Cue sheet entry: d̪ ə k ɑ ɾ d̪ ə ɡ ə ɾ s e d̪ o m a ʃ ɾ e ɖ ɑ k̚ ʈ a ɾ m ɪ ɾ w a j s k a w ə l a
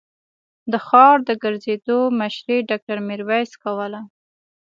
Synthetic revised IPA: d̪ ə x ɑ ɾ d̪ ə ɡ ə ɾ z e d̪ o m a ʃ ɾ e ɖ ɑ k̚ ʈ a ɾ m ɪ ɾ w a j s k a w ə l a